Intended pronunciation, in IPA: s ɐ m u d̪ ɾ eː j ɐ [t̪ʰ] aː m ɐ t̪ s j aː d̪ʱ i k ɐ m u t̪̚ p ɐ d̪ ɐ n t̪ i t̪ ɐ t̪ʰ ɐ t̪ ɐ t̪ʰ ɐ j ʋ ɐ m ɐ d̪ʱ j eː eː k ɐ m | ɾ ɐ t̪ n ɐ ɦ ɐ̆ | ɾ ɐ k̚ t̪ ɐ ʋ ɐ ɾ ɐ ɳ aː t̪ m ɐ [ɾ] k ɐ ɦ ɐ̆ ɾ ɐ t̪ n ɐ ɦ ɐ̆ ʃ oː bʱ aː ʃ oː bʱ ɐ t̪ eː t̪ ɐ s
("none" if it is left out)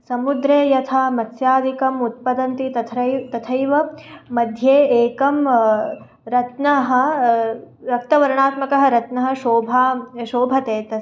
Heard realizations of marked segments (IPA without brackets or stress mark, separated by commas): t̪ʰ, none